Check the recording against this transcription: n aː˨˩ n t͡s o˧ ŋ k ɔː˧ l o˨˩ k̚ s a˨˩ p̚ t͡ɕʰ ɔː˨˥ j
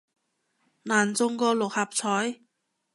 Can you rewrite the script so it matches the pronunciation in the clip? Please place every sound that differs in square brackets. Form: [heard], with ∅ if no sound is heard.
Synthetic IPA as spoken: n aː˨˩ n t͡s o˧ ŋ k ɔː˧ l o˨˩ k̚ [h] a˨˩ p̚ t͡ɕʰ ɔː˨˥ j